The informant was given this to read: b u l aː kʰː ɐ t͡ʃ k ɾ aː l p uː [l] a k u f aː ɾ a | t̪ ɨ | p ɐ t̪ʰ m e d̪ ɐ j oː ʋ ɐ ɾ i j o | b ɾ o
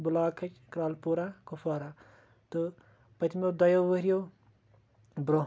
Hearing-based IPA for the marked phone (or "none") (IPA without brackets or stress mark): ɾ